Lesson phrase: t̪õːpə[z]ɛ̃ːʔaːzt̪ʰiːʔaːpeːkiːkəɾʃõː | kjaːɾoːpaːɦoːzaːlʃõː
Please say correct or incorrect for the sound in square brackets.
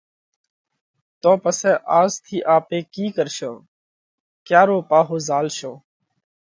incorrect